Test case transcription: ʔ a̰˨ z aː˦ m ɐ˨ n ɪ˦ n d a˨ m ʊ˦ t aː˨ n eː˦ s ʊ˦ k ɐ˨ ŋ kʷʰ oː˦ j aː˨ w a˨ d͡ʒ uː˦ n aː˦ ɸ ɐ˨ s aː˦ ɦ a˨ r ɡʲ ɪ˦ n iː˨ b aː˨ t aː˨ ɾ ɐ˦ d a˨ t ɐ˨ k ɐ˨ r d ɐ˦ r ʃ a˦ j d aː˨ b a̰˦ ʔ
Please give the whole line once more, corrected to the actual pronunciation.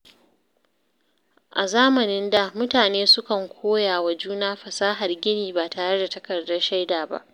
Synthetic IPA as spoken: ʔ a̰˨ z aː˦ m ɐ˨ n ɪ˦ n d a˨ m ʊ˦ t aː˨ n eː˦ s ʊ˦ k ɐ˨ ŋ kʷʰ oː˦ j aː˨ w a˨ d͡ʒ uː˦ n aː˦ ɸ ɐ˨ s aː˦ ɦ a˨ r ɡʲ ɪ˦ n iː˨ b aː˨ t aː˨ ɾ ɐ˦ d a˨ t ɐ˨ k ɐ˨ r d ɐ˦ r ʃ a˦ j d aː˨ b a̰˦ ʔ